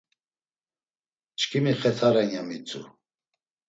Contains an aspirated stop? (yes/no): yes